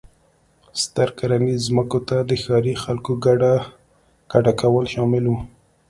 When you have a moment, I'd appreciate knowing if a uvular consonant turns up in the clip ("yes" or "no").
no